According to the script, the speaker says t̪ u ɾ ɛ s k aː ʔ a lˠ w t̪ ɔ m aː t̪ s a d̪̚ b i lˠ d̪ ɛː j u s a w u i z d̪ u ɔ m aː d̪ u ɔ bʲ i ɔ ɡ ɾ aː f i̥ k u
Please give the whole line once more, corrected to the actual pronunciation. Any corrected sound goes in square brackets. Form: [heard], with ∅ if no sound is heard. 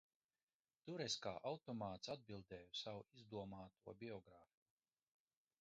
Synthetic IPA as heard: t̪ u ɾ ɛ s k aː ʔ a [∅] w t̪ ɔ m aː t̪ s a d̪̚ b i lˠ d̪ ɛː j u s a w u i z d̪ u ɔ m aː [t̪] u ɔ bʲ i ɔ ɡ ɾ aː f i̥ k u

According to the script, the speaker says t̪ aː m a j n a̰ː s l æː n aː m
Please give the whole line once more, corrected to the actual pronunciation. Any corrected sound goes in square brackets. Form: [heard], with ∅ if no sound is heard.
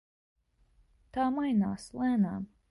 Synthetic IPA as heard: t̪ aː m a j n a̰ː s l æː n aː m

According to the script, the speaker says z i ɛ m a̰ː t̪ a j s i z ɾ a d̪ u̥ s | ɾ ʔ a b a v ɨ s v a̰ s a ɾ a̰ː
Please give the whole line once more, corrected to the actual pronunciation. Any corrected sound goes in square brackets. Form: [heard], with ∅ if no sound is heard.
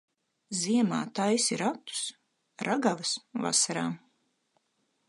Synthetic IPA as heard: z i ɛ m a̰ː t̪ a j s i [∅] ɾ a [t̪] u̥ s | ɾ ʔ a [ɡ] a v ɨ s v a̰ s a ɾ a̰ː

